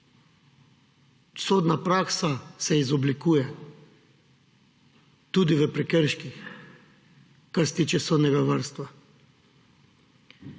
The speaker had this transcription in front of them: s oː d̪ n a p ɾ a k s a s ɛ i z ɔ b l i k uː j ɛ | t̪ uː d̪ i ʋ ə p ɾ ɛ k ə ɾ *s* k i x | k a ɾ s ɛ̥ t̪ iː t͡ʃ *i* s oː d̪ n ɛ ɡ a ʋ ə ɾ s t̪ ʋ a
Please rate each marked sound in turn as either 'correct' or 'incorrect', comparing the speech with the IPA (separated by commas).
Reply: incorrect, incorrect